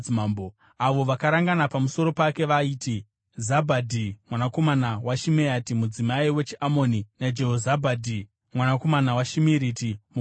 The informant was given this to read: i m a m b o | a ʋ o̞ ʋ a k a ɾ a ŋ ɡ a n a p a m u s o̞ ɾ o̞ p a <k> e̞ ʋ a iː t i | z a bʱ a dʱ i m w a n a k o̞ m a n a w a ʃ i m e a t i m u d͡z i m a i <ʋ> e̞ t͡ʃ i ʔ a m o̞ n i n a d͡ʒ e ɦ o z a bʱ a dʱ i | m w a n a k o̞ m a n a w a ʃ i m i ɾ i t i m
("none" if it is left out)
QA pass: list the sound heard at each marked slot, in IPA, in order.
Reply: k, w

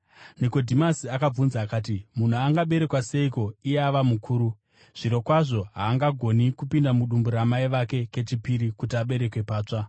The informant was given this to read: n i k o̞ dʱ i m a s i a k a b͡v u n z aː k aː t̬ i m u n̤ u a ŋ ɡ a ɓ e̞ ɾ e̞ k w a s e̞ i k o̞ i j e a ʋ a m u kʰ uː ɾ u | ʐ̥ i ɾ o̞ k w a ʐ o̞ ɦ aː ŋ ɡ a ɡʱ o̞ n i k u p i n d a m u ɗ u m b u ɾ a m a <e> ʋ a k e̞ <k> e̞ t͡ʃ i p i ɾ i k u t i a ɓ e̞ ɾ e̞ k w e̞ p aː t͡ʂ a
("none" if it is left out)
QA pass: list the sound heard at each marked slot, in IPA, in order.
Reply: i, k

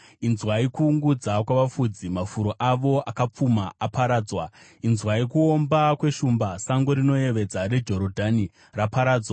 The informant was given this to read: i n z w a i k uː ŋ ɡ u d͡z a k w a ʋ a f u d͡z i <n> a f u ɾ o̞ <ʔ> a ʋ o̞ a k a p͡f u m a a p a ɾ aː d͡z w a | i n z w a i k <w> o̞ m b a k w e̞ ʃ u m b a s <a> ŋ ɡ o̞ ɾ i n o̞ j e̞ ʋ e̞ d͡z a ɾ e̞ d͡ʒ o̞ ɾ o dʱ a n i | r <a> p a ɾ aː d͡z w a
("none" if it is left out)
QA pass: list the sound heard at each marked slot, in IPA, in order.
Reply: m, ʔ, u, a, a

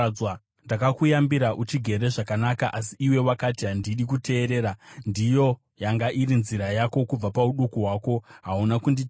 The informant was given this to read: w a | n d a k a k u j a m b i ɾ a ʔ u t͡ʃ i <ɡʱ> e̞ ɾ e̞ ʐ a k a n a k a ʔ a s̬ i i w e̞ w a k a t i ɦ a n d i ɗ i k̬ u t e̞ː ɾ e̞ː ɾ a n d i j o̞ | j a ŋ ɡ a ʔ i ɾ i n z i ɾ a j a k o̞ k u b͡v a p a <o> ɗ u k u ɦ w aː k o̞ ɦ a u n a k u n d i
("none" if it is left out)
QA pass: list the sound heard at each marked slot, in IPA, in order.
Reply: ɡʱ, u

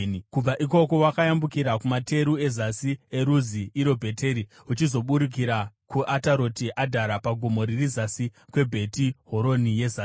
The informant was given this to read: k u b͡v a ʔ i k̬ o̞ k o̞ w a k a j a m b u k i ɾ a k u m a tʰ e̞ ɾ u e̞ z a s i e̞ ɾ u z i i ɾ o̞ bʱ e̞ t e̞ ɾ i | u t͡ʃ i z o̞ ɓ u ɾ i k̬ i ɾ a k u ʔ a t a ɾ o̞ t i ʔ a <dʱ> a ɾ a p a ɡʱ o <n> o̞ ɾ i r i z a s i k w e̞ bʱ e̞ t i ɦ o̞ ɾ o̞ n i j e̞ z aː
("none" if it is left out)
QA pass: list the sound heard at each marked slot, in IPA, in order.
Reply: dʱ, m

